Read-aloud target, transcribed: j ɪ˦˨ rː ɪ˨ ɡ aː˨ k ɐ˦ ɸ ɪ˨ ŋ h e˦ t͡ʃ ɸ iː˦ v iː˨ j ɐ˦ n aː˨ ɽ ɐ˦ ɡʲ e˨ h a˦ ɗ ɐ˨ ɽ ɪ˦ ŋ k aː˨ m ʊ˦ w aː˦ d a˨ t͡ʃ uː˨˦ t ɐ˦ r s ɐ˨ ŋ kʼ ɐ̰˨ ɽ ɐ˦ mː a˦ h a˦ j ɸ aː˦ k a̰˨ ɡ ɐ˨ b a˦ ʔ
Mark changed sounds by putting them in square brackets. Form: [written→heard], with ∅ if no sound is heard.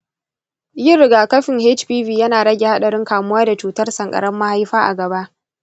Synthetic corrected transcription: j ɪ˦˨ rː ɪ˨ ɡ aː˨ k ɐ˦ ɸ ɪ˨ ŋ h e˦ t͡ʃ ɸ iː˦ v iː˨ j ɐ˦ n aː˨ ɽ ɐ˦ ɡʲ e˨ h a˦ ɗ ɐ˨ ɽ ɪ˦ ŋ k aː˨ m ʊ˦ w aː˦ d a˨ t͡ʃ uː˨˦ t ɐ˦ r s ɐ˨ ŋ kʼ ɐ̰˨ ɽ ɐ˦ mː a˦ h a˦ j ɸ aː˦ [k→ʔ] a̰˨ ɡ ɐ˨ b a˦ ʔ